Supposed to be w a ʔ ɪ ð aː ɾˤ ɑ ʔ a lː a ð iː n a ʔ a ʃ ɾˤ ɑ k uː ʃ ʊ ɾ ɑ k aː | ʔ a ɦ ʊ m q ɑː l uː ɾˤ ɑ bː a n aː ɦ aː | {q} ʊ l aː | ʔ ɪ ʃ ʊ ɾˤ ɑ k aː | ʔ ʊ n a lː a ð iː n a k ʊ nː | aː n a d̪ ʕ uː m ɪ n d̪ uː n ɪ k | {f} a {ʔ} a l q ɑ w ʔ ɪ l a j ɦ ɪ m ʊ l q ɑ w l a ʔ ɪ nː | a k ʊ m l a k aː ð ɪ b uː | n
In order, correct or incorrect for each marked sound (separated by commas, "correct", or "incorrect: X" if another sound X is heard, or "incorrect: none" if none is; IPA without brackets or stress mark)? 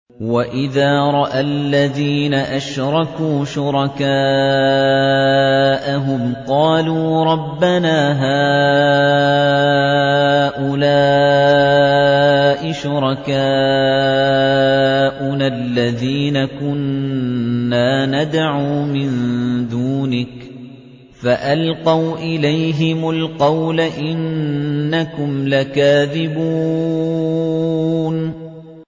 incorrect: ʔ, correct, correct